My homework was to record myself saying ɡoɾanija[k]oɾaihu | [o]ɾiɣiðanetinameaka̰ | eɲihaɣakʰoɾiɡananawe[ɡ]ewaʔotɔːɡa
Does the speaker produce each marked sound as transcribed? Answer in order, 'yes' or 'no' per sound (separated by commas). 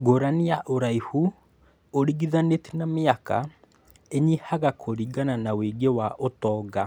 no, yes, yes